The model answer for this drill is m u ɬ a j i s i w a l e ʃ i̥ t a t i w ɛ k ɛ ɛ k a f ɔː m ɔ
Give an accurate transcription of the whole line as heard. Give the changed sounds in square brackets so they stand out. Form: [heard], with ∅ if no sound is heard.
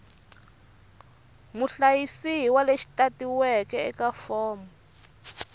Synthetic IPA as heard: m u ɬ a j i s i w a l e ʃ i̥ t a t i w ɛ k ɛ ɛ k a f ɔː m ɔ